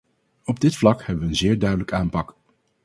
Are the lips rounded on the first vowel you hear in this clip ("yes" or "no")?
yes